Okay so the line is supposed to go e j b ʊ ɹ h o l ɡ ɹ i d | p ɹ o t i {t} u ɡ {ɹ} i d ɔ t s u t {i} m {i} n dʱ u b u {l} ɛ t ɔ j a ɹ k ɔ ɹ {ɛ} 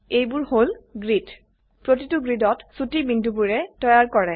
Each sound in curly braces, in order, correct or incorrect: correct, correct, correct, correct, incorrect, correct

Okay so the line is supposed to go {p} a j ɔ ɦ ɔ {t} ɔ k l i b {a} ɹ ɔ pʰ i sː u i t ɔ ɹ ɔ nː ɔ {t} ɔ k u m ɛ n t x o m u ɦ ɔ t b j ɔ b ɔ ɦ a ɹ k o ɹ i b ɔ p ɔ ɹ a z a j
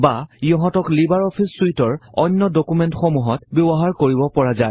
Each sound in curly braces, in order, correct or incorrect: incorrect, correct, correct, incorrect

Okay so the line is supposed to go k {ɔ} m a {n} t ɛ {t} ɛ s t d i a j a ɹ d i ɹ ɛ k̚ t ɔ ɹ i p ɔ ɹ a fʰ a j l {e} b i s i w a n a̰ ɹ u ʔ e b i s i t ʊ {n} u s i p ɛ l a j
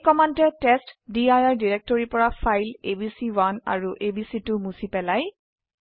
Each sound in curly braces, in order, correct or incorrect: correct, correct, correct, correct, incorrect

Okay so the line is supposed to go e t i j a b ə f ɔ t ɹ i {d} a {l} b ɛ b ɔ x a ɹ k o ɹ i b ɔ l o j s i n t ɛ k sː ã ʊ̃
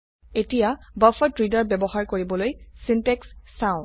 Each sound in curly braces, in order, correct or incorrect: correct, incorrect

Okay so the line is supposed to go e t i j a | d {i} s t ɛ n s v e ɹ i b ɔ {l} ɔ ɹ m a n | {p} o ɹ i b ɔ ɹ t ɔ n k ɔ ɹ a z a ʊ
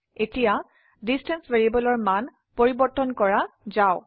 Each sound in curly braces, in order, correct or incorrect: correct, correct, correct

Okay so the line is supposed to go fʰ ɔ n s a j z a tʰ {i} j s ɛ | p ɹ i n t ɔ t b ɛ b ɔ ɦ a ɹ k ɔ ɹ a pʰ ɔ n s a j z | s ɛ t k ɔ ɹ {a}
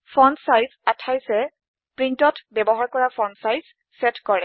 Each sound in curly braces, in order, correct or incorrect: incorrect, incorrect

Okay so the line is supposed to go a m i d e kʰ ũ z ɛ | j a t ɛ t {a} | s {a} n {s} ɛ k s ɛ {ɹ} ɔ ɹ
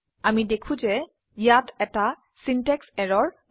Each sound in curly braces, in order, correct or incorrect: correct, incorrect, incorrect, correct

